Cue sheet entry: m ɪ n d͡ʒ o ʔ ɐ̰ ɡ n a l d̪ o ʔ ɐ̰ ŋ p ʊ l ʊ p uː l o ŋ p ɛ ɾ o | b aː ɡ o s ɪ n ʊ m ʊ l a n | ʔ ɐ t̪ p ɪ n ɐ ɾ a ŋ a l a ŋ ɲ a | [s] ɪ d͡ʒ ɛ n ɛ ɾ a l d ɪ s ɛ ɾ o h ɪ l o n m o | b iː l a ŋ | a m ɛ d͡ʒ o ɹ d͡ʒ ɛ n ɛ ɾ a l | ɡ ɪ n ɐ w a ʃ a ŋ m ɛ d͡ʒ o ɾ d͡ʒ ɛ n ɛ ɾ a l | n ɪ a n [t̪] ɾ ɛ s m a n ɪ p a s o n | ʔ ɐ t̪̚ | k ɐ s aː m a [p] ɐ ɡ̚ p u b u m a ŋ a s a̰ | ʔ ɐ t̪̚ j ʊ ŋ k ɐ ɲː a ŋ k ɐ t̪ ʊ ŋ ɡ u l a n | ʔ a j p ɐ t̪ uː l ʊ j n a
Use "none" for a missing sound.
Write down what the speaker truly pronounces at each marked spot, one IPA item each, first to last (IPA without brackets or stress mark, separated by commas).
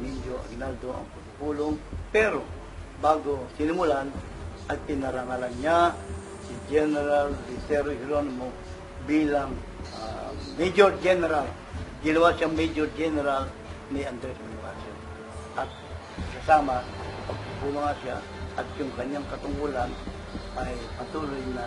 s, d̪, p